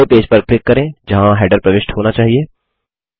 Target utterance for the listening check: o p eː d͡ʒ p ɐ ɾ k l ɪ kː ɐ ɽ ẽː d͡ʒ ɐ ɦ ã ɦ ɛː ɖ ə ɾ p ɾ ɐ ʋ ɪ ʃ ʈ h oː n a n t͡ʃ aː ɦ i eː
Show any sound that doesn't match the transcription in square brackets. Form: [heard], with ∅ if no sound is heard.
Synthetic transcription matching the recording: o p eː d͡ʒ p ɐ ɾ k l ɪ kː ɐ [ɾ] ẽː d͡ʒ ɐ ɦ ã ɦ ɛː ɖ ə ɾ p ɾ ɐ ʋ ɪ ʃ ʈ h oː n a [∅] t͡ʃ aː ɦ i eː